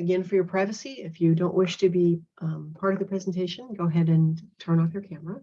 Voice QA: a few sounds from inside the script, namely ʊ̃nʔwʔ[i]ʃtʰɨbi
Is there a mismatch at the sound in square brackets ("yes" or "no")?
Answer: yes